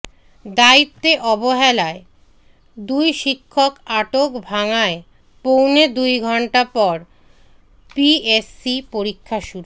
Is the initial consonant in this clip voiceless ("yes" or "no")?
no